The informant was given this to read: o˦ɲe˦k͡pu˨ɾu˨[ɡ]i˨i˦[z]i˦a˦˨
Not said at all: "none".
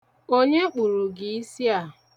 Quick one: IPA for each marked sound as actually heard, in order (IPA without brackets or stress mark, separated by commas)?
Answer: ɡ, s